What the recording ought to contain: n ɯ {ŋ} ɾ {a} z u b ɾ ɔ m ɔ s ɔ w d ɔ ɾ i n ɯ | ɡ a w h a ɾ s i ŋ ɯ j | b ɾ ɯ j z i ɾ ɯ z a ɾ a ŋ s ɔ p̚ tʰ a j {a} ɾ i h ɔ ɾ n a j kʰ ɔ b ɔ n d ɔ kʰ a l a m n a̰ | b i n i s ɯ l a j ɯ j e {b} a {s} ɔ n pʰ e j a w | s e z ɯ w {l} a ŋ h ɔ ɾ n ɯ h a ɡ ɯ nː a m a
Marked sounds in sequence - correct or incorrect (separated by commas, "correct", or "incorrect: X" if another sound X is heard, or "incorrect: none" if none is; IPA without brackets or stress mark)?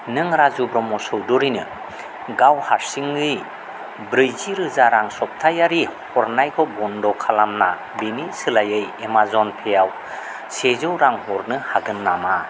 correct, correct, correct, incorrect: m, incorrect: z, incorrect: ɾ